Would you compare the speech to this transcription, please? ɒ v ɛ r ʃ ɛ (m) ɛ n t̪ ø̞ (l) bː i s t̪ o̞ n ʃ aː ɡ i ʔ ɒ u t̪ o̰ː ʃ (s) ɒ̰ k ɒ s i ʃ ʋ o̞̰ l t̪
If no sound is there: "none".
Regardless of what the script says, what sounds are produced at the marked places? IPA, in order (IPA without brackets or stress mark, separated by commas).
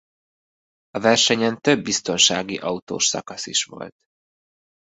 ɲ, none, s